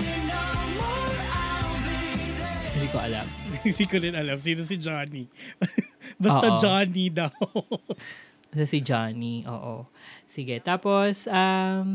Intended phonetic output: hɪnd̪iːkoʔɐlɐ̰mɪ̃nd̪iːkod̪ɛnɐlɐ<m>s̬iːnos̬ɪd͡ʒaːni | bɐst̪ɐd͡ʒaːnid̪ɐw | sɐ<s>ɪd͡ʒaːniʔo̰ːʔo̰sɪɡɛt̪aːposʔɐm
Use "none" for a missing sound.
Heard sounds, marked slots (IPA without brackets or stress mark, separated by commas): m, s